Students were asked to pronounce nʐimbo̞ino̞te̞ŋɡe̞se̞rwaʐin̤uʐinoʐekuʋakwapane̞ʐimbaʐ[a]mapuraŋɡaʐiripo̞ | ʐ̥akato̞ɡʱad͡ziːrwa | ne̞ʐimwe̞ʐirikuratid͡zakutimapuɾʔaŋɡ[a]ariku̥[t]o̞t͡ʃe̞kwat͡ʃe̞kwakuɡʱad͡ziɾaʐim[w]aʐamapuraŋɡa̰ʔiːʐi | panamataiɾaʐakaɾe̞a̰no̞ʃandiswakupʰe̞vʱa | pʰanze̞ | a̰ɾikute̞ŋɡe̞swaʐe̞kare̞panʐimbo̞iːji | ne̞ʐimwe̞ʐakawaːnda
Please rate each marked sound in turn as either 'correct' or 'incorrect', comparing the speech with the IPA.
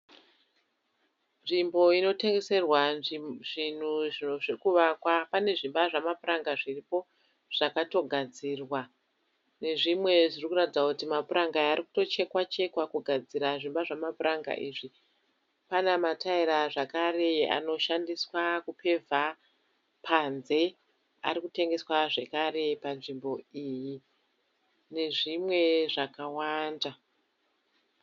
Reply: correct, correct, correct, incorrect: b

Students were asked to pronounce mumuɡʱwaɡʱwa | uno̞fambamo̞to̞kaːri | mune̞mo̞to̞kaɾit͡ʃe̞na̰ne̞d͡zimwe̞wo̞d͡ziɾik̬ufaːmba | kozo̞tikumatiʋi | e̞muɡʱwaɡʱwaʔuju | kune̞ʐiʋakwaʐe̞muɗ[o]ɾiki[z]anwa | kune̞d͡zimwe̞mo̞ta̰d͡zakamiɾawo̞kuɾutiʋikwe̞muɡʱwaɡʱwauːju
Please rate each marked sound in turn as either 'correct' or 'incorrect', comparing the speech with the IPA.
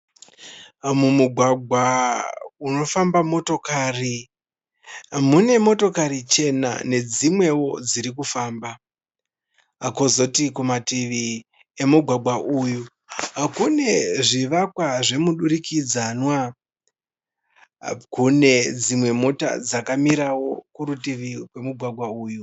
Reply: incorrect: u, incorrect: d͡z

